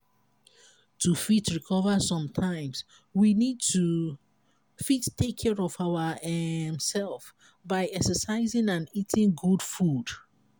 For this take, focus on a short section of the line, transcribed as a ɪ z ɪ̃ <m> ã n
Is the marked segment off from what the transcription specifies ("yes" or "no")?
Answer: yes